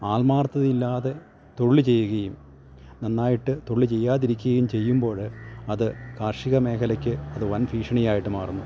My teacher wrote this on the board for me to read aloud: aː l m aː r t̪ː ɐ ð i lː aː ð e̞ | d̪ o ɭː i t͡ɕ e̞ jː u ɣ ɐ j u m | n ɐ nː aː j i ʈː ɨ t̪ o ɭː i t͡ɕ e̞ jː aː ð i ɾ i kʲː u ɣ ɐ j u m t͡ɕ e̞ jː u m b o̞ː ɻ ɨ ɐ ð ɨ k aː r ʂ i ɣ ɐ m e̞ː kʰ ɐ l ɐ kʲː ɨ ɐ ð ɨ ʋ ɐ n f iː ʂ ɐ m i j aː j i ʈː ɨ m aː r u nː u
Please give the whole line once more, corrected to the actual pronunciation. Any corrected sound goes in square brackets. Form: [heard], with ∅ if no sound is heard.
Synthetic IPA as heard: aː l m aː r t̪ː ɐ ð i lː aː ð e̞ | [t̪] o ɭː i t͡ɕ e̞ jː u ɣ ɐ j u m | n ɐ nː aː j i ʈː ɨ t̪ o ɭː i t͡ɕ e̞ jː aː ð i ɾ i kʲː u ɣ ɐ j u m t͡ɕ e̞ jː u m b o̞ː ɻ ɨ ɐ ð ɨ k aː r ʂ i ɣ ɐ m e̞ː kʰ ɐ l ɐ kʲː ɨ ɐ ð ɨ ʋ ɐ n f iː ʂ ɐ [ɳ] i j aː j i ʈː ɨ m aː r u nː u

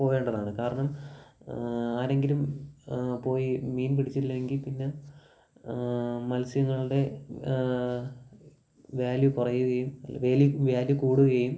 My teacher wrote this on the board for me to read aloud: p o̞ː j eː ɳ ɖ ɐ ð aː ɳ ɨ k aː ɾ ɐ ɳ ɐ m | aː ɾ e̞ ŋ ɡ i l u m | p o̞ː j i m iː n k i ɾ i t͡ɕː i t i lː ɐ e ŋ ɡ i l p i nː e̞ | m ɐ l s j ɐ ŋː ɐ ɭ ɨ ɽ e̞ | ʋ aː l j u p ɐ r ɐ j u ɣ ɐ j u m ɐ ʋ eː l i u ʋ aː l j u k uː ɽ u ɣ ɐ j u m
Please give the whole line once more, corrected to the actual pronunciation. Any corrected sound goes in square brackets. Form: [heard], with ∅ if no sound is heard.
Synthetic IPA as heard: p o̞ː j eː ɳ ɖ ɐ ð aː ɳ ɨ k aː ɾ ɐ ɳ ɐ m | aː ɾ e̞ ŋ ɡ i l u m | p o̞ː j i m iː n [p] i [ɽ] i t͡ɕː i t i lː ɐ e ŋ ɡ i l p i nː e̞ | m ɐ l s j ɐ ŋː ɐ ɭ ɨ ɽ e̞ | ʋ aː l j u p ɐ r ɐ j u ɣ ɐ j u m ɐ ʋ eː l [j] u ʋ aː l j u k uː ɽ u ɣ ɐ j u m

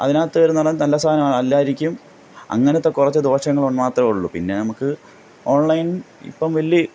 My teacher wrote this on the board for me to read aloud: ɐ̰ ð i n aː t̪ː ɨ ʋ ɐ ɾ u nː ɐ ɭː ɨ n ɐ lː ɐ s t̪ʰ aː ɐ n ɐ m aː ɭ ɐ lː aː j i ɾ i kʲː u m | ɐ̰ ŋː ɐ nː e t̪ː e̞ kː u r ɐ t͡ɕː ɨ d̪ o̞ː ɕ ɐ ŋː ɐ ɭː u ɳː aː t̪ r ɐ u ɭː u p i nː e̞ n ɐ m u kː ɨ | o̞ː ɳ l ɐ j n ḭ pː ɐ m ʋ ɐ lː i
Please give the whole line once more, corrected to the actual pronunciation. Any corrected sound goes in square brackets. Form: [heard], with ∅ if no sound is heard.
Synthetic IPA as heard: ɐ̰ ð i n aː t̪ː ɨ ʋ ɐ ɾ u nː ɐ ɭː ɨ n ɐ lː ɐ s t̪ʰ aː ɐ n ɐ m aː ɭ ɐ lː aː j i ɾ i kʲː u m | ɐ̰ ŋː ɐ [n] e t̪ː e̞ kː u r ɐ t͡ɕː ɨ d̪ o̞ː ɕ ɐ ŋː ɐ [ɭ] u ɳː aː t̪ r ɐ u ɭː u p i nː e̞ n ɐ m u kː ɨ | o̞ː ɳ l ɐ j n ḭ pː ɐ m ʋ ɐ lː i

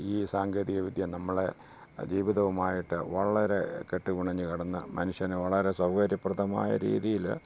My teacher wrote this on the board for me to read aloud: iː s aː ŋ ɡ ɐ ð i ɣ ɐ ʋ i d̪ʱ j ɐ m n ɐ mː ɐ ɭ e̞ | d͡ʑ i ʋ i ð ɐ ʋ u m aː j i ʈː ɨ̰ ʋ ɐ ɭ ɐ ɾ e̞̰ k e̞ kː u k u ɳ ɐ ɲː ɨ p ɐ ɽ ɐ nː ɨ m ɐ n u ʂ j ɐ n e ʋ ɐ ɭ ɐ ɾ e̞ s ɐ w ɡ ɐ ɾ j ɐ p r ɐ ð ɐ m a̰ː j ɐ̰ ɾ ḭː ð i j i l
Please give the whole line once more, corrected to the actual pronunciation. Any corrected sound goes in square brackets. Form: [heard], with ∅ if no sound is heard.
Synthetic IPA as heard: iː s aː ŋ ɡ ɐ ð i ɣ ɐ ʋ i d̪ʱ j ɐ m n ɐ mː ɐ ɭ e̞ | d͡ʑ [iː] ʋ i ð ɐ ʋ u m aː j i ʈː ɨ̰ ʋ ɐ ɭ ɐ ɾ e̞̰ k e̞ [ʈː] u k u ɳ ɐ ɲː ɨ [k] ɐ ɽ ɐ nː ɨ m ɐ n u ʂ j ɐ n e ʋ ɐ ɭ ɐ ɾ e̞ s ɐ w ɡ ɐ ɾ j ɐ p r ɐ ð ɐ m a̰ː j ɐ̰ ɾ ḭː ð i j i l

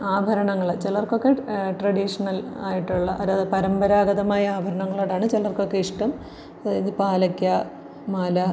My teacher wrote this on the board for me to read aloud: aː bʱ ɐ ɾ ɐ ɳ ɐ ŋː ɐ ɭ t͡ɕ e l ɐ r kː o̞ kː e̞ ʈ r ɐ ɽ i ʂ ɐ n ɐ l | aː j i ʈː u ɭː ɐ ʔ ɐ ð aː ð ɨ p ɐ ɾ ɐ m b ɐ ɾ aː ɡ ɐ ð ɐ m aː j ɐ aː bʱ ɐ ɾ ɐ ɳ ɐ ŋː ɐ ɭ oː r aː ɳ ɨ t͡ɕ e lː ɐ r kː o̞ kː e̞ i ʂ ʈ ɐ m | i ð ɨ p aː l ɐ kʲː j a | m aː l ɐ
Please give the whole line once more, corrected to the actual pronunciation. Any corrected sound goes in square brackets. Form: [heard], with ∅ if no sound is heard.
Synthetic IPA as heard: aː bʱ ɐ ɾ ɐ ɳ ɐ ŋː ɐ ɭ t͡ɕ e l ɐ r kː o̞ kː e̞ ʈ r ɐ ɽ i ʂ ɐ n ɐ l | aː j i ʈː u ɭː ɐ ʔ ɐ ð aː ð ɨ p ɐ ɾ ɐ m b ɐ ɾ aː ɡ ɐ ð ɐ m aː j ɐ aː bʱ ɐ ɾ ɐ ɳ ɐ ŋː ɐ ɭ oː [ɽ] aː ɳ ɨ t͡ɕ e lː ɐ r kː o̞ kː e̞ i ʂ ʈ ɐ m | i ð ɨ p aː l ɐ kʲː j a | m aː l ɐ

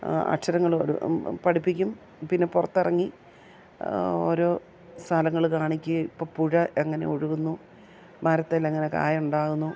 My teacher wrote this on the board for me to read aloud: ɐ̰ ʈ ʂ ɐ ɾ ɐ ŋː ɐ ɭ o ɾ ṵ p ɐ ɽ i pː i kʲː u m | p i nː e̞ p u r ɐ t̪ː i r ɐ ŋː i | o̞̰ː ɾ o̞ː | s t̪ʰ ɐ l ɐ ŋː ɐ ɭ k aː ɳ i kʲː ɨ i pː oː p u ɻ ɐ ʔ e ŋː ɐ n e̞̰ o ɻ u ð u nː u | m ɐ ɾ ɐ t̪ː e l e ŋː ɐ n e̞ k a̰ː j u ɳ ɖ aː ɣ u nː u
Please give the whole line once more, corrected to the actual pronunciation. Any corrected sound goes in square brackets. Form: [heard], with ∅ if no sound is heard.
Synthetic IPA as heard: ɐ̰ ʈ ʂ ɐ ɾ ɐ ŋː ɐ ɭ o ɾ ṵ p ɐ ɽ i pː i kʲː u m | p i nː e̞ p u r ɐ t̪ː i r ɐ ŋː i | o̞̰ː ɾ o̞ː | s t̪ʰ ɐ l ɐ ŋː ɐ ɭ k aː ɳ i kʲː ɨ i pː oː p u ɻ ɐ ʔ e ŋː ɐ n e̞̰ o ɻ u [ɣ] u nː u | m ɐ ɾ ɐ t̪ː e l e ŋː ɐ n e̞ k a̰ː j u ɳ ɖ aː ɣ u nː u

